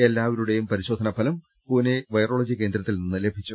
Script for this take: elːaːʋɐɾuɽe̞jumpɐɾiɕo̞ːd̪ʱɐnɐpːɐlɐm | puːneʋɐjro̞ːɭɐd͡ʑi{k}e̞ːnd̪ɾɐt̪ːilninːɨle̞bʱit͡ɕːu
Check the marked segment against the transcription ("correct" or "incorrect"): correct